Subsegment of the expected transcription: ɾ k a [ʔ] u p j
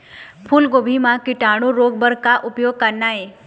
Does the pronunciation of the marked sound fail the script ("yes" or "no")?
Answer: no